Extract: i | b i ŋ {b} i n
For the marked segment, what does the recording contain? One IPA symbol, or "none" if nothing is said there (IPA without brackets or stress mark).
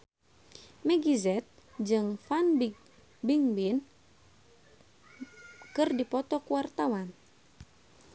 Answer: b